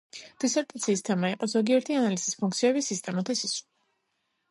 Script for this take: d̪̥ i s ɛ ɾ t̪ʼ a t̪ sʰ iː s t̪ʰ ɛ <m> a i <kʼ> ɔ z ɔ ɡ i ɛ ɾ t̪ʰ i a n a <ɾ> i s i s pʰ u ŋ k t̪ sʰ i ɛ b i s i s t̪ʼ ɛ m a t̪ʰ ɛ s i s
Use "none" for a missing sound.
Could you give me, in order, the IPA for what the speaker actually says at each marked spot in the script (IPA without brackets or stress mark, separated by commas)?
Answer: m, qʼ, l